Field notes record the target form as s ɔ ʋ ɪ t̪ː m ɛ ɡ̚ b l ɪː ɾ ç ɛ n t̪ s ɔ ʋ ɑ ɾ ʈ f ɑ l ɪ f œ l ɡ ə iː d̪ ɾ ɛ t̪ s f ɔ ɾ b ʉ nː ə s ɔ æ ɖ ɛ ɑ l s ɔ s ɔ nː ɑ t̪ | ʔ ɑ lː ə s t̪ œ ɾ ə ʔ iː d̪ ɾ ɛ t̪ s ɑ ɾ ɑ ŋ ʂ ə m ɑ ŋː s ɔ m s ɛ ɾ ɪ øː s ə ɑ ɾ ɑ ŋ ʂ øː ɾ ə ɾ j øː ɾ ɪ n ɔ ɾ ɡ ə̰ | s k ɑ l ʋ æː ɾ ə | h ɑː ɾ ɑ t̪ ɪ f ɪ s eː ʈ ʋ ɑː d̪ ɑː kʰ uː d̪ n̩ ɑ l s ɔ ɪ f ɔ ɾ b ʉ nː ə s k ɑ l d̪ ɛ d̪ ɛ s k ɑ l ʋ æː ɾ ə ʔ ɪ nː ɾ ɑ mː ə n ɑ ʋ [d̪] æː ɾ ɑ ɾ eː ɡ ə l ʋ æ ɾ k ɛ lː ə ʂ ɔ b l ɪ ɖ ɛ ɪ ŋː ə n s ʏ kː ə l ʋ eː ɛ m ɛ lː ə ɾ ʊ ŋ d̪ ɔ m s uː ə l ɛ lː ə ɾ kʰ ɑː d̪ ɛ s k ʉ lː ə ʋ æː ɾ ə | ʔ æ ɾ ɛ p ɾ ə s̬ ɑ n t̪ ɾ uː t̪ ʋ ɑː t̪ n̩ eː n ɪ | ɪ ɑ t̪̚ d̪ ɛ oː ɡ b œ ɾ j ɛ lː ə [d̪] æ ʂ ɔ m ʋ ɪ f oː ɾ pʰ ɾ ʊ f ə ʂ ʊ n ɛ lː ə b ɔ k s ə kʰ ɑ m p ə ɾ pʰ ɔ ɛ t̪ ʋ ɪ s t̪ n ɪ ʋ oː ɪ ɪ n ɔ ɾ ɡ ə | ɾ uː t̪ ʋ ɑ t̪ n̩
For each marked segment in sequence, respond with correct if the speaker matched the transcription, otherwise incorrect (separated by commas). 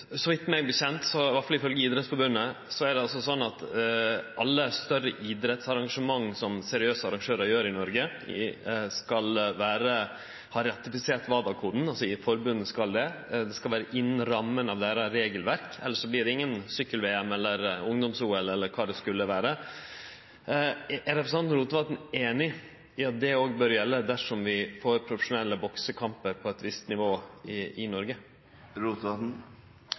correct, correct